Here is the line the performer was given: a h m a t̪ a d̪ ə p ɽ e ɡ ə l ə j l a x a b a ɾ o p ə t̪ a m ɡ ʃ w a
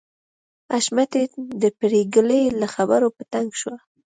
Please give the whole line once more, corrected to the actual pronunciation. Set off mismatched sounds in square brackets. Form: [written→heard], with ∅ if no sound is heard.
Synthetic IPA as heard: a [h→ʃ] m a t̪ [a→e] d̪ ə p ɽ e ɡ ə l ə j l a x a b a ɾ o p ə t̪ a [m→ŋ] ɡ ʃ w a